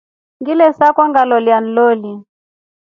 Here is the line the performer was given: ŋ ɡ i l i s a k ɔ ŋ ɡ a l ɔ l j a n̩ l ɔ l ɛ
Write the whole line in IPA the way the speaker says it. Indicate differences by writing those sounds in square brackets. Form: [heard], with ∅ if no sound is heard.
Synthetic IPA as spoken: ŋ ɡ i l [ɛ] s a k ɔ ŋ ɡ a l ɔ l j a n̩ l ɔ l [i]